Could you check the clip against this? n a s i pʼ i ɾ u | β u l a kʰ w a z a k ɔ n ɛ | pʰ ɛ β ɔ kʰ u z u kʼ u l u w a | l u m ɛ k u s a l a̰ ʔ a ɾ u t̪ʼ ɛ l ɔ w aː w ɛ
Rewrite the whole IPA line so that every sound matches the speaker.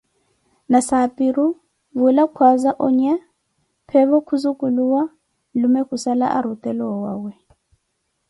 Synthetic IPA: n a s a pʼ i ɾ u | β u l a kʰ w a z a ʔ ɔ ɲ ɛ | pʰ ɛ β ɔ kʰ u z u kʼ u l u w a | l u m ɛ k u s a l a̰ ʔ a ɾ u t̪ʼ ɛ l ɔ w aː w ɛ

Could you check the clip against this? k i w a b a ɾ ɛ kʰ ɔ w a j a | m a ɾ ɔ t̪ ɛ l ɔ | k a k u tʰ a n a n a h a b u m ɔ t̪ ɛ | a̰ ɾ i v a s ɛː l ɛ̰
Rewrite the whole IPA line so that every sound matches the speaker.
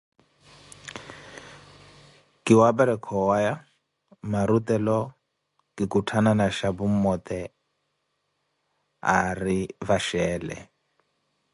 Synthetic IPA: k i w a b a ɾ ɛ kʰ ɔ w a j a | m a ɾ u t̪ ɛ l ɔ | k i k u tʰ a n a n a ʃ a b u m ɔ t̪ ɛ | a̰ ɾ i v a ʃ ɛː l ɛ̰

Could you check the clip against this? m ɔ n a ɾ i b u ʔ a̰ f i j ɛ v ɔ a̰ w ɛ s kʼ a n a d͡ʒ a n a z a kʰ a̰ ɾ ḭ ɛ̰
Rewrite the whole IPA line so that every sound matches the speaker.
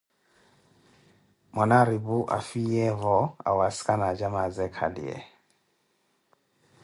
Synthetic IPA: m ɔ n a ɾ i b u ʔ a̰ f i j ɛ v ɔ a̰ w a s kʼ a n a d͡ʒ a m a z ɛ kʰ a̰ l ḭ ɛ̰

